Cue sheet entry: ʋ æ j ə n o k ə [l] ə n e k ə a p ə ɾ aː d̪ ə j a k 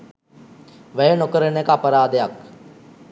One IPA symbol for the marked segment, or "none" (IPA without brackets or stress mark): ɾ